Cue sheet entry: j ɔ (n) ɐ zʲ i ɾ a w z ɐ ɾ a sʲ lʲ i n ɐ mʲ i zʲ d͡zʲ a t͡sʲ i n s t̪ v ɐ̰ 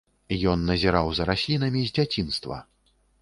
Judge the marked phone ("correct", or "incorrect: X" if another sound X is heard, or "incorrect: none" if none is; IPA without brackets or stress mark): incorrect: nː